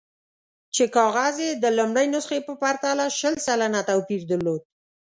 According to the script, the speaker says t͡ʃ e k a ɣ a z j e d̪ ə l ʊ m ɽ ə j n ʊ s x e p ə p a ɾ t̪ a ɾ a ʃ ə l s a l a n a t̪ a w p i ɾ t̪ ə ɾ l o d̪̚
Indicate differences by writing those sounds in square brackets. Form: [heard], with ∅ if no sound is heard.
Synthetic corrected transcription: t͡ʃ e k [ɑ] ɣ a z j e d̪ ə l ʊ m ɽ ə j n ʊ s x e p ə p a ɾ t̪ a [l] a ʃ ə l s a l a n a t̪ a w p i ɾ [d̪] ə ɾ l o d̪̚